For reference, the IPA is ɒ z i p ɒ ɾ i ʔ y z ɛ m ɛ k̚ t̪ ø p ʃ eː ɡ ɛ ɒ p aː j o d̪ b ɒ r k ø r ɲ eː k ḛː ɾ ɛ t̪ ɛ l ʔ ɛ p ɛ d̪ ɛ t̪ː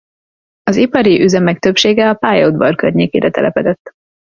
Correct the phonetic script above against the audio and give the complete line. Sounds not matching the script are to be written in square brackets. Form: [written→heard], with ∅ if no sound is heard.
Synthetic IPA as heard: ɒ z i p ɒ ɾ i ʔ y z ɛ m ɛ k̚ t̪ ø p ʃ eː ɡ ɛ ɒ p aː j o d̪ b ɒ r k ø r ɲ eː k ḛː ɾ ɛ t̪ ɛ l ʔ ɛ p ɛ d̪ ɛ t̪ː